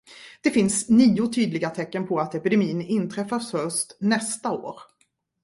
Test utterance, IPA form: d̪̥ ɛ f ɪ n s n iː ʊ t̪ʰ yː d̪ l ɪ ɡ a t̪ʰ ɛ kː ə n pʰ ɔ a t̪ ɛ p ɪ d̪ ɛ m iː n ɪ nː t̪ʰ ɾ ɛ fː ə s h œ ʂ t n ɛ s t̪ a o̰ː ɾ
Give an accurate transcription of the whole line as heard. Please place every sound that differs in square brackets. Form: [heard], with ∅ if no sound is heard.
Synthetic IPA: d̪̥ ɛ f ɪ n s n iː ʊ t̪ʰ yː d̪ l ɪ ɡ a t̪ʰ ɛ kː ə n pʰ ɔ a t̪ ɛ p ɪ d̪ ɛ m iː n ɪ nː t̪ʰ ɾ ɛ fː [a] s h œ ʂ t n ɛ s t̪ a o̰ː ɾ